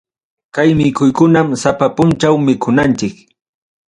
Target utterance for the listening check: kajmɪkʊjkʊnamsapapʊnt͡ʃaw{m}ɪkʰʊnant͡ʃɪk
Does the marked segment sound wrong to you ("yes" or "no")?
no